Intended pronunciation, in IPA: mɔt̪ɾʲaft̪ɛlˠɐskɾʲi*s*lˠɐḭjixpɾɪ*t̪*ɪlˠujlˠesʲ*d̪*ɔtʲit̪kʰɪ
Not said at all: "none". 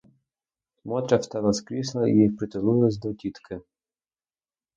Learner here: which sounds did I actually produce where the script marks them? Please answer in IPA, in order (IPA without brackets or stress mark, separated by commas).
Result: s, t̪, d̪